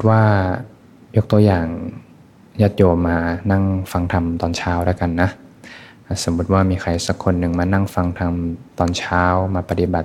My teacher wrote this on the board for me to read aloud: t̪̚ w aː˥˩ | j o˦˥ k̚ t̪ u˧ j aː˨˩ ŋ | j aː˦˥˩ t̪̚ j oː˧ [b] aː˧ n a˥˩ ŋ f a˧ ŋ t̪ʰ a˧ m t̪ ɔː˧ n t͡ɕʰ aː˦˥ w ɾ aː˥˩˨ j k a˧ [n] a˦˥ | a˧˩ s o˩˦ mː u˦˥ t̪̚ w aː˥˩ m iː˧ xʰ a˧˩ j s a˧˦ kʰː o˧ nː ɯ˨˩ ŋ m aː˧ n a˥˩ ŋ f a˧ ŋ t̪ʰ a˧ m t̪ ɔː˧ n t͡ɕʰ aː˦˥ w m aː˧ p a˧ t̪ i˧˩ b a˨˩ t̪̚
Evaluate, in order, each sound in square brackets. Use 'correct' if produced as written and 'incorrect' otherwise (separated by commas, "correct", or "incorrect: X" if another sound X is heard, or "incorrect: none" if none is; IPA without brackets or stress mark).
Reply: incorrect: m, incorrect: nː